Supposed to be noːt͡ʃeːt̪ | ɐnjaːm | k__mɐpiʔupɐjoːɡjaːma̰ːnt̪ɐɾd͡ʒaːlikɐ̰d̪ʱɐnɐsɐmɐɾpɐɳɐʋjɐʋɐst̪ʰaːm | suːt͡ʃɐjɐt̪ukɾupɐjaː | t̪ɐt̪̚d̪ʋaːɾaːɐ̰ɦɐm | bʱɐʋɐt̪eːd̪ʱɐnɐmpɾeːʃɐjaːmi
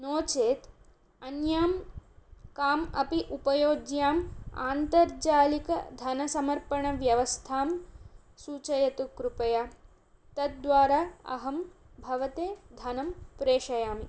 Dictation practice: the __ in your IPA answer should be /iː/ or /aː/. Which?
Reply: aː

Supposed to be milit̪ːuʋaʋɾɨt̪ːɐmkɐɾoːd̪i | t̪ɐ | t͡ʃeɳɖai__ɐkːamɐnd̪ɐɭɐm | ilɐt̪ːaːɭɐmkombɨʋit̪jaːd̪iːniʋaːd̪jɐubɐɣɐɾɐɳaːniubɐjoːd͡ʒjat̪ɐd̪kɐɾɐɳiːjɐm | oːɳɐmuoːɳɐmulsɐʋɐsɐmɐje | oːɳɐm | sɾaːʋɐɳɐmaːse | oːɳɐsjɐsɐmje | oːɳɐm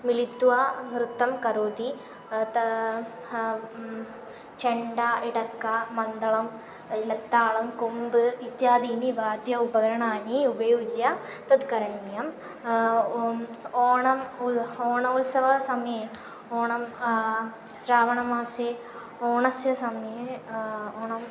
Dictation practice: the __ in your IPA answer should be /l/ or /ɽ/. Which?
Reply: ɽ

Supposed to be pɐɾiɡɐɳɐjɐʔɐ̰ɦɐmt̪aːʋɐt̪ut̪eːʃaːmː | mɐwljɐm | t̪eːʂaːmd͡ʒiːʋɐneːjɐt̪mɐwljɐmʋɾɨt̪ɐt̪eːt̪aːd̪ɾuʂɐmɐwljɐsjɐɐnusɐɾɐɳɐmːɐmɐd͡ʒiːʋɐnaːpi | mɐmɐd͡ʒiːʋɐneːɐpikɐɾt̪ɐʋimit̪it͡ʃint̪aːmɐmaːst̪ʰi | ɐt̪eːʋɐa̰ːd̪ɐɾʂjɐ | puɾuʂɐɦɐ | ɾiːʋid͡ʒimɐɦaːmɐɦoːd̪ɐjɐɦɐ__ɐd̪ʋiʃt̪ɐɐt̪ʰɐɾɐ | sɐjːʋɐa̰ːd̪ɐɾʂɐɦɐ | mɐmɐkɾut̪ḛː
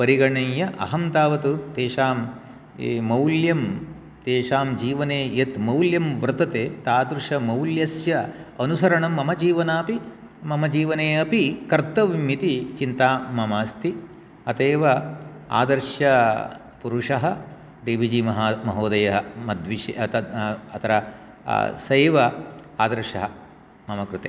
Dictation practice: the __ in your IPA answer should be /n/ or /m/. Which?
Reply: m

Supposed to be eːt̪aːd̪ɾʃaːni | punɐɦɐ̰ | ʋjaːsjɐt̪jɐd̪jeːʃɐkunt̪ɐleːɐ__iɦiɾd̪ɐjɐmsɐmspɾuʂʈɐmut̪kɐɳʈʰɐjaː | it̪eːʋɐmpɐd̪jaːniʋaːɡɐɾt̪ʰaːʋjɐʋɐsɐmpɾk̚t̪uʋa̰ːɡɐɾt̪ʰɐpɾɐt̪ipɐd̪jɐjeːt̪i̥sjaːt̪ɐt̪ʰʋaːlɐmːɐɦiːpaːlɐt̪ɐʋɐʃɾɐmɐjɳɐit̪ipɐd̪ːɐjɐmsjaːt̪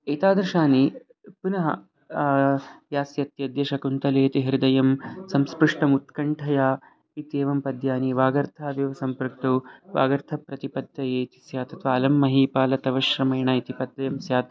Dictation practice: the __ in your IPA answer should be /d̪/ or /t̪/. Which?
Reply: t̪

